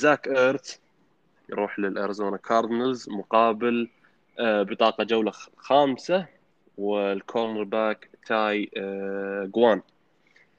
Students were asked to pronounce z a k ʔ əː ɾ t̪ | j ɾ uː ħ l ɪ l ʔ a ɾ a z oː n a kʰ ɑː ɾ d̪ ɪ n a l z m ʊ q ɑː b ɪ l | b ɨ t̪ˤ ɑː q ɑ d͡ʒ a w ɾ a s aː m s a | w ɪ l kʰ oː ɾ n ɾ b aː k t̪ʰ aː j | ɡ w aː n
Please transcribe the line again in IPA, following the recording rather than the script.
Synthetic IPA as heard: z a k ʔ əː ɾ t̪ | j ɾ uː ħ l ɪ l ʔ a ɾ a z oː n a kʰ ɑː ɾ d̪ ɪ n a l z m ʊ q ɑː b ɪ l | b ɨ t̪ˤ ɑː q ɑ d͡ʒ a w l a x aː m s a | w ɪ l kʰ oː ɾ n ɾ b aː k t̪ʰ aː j | ɡ w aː n